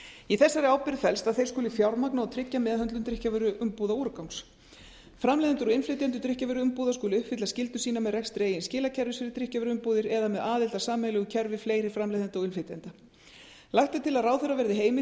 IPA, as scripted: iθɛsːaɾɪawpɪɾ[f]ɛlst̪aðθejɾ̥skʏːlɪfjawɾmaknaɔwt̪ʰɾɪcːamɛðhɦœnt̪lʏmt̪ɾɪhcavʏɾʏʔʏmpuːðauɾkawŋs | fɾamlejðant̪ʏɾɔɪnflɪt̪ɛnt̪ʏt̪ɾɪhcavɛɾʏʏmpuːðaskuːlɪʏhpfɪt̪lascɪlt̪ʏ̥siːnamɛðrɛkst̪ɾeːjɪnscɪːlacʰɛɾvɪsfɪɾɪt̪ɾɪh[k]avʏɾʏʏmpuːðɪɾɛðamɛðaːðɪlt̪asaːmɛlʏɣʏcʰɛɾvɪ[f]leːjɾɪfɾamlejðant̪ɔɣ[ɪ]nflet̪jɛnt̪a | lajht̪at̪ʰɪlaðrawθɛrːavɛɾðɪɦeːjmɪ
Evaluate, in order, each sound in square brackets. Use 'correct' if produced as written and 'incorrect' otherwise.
correct, incorrect, correct, correct

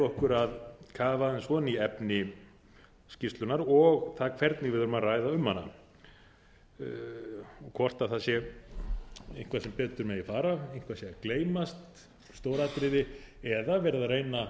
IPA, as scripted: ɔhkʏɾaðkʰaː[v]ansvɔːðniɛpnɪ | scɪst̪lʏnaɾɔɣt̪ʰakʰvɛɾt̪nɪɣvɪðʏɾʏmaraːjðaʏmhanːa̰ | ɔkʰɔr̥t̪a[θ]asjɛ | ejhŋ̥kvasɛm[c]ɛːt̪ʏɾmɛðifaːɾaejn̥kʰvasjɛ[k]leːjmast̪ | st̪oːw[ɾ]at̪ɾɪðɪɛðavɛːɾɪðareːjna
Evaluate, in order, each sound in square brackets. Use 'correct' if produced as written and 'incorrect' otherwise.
correct, correct, incorrect, correct, correct

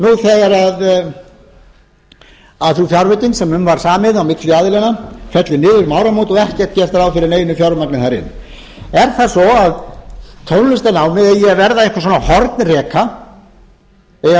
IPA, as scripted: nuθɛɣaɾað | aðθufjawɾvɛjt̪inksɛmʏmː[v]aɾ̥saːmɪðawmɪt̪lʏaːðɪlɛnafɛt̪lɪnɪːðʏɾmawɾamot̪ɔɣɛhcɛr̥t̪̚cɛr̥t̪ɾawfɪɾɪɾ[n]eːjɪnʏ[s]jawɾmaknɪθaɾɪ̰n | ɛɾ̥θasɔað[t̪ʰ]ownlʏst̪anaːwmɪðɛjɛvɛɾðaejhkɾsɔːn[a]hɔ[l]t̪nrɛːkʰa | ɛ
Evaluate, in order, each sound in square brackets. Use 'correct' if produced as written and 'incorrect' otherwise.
correct, correct, incorrect, correct, correct, incorrect

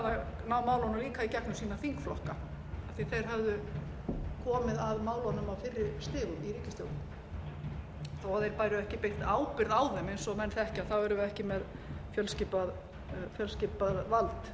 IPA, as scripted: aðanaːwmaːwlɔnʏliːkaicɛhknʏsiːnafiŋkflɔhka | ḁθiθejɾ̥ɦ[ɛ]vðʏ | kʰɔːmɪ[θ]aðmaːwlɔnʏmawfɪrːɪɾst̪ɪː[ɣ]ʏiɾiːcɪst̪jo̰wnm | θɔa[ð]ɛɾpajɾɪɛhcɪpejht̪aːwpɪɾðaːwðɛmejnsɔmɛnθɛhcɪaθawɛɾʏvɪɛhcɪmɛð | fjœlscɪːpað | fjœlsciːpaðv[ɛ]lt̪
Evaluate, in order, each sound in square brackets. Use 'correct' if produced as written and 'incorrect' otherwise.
incorrect, incorrect, correct, correct, incorrect

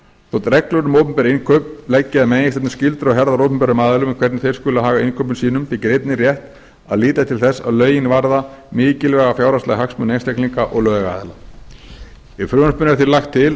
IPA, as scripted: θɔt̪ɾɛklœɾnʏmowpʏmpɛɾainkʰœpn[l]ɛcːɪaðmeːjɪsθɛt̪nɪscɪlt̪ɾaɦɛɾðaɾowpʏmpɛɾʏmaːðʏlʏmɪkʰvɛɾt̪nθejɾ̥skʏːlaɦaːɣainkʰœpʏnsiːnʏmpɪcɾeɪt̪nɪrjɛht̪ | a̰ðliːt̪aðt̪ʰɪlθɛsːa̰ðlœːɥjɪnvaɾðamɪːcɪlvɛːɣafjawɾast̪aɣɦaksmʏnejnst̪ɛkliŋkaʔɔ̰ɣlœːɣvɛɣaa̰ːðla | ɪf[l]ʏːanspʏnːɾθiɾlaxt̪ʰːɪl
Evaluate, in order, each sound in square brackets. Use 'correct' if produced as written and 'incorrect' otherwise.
correct, incorrect

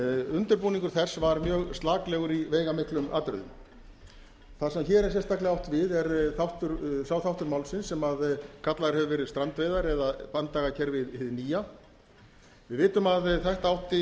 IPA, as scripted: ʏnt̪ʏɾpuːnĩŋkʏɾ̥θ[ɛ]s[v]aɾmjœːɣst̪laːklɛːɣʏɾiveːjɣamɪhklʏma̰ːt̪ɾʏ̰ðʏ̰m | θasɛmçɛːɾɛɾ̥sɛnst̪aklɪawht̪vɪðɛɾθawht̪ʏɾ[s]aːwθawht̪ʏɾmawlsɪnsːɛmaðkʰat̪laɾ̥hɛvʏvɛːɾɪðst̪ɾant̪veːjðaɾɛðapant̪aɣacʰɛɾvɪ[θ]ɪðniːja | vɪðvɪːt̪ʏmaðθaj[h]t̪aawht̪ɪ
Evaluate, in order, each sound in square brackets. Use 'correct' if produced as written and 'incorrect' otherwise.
correct, correct, correct, incorrect, correct

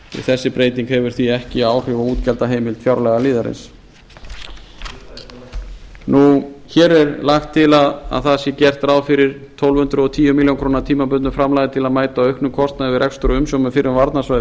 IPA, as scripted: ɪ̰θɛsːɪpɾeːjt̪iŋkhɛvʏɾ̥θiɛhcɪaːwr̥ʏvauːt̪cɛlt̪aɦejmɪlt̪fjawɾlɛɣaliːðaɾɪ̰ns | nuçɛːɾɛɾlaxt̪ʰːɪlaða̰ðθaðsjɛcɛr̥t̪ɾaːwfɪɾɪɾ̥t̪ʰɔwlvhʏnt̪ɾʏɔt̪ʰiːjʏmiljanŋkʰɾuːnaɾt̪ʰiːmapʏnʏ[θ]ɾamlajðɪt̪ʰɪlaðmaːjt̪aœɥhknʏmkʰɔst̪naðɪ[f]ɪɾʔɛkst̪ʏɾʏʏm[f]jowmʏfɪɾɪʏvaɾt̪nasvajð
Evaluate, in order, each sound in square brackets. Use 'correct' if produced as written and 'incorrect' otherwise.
incorrect, incorrect, incorrect

